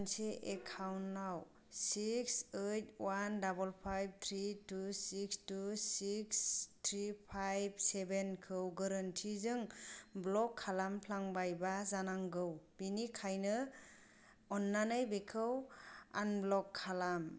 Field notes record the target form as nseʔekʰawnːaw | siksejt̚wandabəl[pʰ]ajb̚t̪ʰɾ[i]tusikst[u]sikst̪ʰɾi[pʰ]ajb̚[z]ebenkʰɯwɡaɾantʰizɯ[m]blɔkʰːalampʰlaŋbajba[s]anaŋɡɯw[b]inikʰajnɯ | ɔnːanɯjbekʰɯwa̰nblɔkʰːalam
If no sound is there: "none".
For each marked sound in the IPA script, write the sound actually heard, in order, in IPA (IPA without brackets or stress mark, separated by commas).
pʰ, i, u, pʰ, s, ŋ, z, b